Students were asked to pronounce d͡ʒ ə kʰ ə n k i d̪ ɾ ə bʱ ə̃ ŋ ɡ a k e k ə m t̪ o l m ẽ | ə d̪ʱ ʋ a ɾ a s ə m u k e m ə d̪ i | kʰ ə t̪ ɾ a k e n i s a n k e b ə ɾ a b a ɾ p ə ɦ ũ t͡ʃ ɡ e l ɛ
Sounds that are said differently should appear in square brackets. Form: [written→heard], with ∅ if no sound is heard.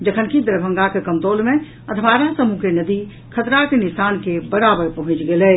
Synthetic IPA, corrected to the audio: d͡ʒ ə kʰ ə n k i d̪ ɾ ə bʱ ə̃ ŋ ɡ a k e k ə m t̪ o l m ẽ | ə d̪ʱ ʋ a ɾ a s ə m u k e [m→n] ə d̪ i | kʰ ə t̪ ɾ a k e n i s a n k e b ə ɾ a b [a→ə] ɾ p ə ɦ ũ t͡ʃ ɡ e l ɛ

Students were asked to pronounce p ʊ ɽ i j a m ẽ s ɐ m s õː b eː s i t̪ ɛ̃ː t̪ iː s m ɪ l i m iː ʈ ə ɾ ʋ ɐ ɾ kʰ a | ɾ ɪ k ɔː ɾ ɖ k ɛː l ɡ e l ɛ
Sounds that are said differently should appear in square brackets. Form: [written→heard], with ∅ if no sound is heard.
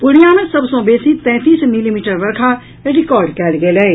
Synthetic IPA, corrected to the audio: p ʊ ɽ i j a m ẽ s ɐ [m→b] s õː b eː s i t̪ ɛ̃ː t̪ iː s m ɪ l i m iː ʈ ə ɾ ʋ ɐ ɾ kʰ a | ɾ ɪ k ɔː ɾ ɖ k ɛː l ɡ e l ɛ

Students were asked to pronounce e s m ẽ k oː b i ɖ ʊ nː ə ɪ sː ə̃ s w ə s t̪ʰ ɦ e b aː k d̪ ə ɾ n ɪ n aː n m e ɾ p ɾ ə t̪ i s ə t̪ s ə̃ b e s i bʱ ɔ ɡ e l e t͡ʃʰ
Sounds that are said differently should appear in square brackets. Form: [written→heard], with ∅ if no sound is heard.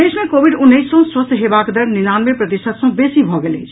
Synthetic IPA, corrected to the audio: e s m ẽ k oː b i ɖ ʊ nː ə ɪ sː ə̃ s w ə s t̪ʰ ɦ e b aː k d̪ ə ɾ n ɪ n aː n m e [ɾ→∅] p ɾ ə t̪ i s ə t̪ s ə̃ b e s i bʱ ɔ ɡ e l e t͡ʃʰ

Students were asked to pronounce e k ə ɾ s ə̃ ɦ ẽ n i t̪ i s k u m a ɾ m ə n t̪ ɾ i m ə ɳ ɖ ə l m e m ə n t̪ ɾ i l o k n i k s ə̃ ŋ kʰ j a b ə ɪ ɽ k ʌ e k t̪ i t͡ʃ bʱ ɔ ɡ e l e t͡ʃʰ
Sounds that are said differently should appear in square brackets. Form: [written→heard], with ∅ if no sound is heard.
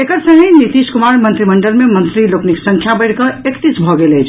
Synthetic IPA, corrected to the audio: e k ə ɾ s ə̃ ɦ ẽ n i t̪ i s k u m a ɾ m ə n t̪ ɾ i m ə ɳ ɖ ə l m e m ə n t̪ ɾ i l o k n i k s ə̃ ŋ kʰ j a b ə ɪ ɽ k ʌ e k t̪ i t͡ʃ bʱ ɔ ɡ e l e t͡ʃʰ

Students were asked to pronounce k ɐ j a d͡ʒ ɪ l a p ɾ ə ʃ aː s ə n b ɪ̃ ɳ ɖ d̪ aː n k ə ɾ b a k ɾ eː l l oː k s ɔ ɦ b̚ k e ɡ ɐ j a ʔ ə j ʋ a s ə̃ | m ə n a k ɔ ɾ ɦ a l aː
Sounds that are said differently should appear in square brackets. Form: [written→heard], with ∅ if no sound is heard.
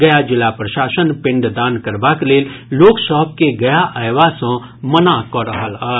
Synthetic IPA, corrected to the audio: [k→ɡ] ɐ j a d͡ʒ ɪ l a p ɾ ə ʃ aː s ə n [b→p] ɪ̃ ɳ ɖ d̪ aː n k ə ɾ b a k [ɾ→l] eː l l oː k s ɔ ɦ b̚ k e ɡ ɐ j a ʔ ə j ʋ a s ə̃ | m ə n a k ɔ ɾ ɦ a l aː

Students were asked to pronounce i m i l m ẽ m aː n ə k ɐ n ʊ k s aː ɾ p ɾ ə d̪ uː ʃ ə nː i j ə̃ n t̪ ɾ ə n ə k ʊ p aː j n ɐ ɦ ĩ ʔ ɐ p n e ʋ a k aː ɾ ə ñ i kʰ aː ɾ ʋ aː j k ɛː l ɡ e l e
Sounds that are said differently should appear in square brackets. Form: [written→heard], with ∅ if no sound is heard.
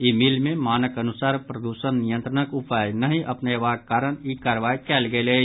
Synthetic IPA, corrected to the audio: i m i l m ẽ m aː n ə k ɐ n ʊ [k→∅] s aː ɾ p ɾ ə d̪ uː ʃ ə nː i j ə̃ n t̪ ɾ ə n ə k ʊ p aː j n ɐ ɦ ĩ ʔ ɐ p n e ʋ a k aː ɾ ə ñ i [kʰ→k] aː ɾ ʋ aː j k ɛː l ɡ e l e

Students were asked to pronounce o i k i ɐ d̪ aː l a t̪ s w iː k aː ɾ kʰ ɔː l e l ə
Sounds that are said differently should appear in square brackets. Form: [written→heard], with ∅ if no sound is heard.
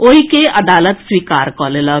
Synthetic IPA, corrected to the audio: o i k [i→e] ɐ d̪ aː l [a→ə] t̪ s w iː k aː ɾ [kʰ→k] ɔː l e l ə

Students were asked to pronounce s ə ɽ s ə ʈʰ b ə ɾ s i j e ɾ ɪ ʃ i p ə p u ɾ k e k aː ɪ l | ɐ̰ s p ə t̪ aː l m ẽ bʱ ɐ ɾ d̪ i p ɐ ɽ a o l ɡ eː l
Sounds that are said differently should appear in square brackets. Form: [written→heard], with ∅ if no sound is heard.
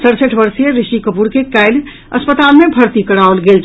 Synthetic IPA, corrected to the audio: s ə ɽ s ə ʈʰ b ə ɾ s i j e ɾ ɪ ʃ i [p→k] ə p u ɾ k e k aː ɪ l | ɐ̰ s p ə t̪ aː l m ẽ bʱ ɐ ɾ [d̪→t̪] i [p→k] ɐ ɽ a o l ɡ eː l

